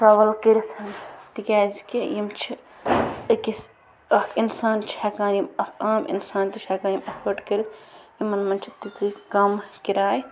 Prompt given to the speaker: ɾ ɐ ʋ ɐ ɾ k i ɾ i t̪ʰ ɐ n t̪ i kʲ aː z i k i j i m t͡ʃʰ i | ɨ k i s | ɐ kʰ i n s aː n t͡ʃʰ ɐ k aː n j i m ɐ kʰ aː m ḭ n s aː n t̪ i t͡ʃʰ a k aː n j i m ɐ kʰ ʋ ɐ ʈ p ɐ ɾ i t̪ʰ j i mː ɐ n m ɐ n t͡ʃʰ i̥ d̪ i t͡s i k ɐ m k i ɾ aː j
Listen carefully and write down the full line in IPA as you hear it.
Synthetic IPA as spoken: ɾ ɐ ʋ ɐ l k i ɾ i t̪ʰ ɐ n t̪ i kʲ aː z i k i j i m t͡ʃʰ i | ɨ k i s | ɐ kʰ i n s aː n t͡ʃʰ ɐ k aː n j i m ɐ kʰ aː m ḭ n s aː n t̪ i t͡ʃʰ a k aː n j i m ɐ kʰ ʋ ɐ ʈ k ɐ ɾ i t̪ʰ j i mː ɐ n m ɐ n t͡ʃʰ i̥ t̪ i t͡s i k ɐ m k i ɾ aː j